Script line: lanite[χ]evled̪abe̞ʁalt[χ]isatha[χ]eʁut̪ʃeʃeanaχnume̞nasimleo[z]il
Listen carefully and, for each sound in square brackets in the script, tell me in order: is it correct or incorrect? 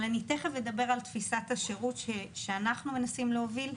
correct, incorrect: f, incorrect: ʃ, incorrect: v

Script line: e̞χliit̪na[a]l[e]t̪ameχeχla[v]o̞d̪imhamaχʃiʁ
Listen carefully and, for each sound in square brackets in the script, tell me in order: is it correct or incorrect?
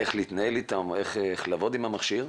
incorrect: e, incorrect: i, correct

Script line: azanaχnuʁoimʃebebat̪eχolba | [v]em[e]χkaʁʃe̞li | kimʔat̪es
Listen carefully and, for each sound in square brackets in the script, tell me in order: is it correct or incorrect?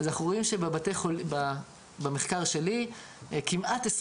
incorrect: b, correct

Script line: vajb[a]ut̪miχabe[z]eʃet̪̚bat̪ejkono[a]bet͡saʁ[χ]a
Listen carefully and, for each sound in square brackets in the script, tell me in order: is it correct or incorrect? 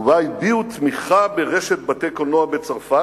incorrect: i, incorrect: ʁ, correct, incorrect: f

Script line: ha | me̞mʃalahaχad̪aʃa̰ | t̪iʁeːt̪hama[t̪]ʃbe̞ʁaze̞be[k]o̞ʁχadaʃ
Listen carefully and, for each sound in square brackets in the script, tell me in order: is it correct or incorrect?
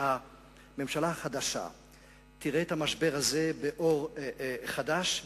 incorrect: none, incorrect: ʔ

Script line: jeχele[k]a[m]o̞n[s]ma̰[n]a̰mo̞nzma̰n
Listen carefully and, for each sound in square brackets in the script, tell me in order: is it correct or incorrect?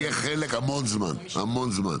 correct, correct, incorrect: z, correct

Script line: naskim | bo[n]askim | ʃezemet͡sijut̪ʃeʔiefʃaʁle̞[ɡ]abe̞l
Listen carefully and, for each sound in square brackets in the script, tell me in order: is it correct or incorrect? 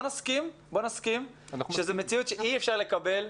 correct, incorrect: k

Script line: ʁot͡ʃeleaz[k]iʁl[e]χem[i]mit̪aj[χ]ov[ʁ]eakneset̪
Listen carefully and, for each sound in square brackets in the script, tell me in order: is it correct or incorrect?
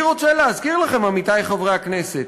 correct, incorrect: a, incorrect: a, correct, correct

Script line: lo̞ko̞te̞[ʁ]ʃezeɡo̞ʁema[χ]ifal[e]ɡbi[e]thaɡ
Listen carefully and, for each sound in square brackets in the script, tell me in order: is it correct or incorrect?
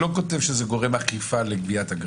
incorrect: v, correct, correct, incorrect: a

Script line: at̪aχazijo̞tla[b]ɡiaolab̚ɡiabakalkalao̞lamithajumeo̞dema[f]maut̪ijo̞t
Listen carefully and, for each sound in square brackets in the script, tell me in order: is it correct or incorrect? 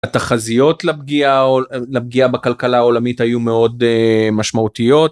correct, incorrect: ʃ

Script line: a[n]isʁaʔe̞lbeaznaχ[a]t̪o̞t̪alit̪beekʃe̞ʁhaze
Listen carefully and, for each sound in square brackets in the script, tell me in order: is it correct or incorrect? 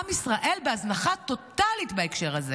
incorrect: m, correct

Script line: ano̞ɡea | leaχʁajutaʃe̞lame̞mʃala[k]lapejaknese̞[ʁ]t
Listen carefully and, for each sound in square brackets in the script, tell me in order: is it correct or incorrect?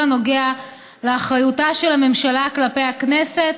correct, incorrect: none

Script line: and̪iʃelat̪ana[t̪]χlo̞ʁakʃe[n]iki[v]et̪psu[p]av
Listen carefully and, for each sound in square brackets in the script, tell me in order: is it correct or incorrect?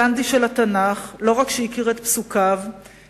incorrect: none, incorrect: none, incorrect: ʁ, incorrect: k

